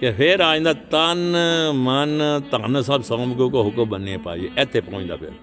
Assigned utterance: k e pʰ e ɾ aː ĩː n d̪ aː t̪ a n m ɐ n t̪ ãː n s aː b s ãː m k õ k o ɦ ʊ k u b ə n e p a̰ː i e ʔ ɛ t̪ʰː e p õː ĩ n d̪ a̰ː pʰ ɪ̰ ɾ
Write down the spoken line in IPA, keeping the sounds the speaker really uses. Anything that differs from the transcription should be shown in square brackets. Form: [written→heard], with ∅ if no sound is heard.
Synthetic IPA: k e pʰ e ɾ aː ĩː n d̪ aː t̪ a n m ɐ n t̪ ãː n s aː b s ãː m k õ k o ɦ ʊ k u b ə n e p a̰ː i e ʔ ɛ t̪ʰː e p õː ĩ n d̪ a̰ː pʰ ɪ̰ ɾ